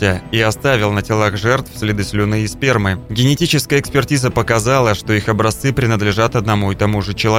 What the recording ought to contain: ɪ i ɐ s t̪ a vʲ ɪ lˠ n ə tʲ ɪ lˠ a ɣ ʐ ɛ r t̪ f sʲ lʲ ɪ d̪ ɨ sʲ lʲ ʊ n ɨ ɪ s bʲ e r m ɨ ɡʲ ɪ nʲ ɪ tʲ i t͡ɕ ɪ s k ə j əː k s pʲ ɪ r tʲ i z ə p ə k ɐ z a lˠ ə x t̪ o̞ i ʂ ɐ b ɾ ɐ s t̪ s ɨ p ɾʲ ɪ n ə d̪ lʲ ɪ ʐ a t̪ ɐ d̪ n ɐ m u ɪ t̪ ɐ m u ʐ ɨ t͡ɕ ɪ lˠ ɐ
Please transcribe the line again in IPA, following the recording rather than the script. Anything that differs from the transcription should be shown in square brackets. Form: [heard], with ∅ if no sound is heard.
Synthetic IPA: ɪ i ɐ s t̪ a vʲ ɪ lˠ n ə tʲ ɪ lˠ a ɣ ʐ ɛ r t̪ f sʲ lʲ ɪ d̪ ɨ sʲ lʲ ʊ n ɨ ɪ s [pʲ] e r m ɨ ɡʲ ɪ nʲ ɪ tʲ i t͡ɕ ɪ s k ə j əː k s pʲ ɪ r tʲ i z ə p ə k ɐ z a lˠ ə [ʂ] t̪ o̞ i [x] ɐ b ɾ ɐ s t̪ s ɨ p ɾʲ ɪ n ə d̪ lʲ ɪ ʐ a t̪ ɐ d̪ n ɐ m u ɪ t̪ ɐ m u ʐ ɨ t͡ɕ ɪ lˠ ɐ